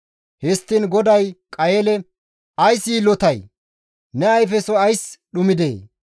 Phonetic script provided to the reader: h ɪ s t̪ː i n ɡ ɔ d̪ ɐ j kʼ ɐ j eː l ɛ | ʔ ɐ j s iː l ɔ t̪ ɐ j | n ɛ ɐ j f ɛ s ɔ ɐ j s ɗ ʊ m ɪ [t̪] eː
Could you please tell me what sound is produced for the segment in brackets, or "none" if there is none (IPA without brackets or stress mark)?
d̪